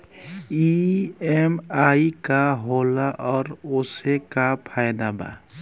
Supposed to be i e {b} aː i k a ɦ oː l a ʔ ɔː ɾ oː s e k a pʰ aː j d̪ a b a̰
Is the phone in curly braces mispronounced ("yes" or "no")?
yes